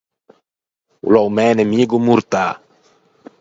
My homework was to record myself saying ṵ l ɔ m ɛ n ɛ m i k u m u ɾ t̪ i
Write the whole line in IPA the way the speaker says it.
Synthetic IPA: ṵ l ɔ m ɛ n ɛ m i ɡ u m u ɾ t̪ a